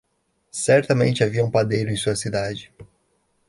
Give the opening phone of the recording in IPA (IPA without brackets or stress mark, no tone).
s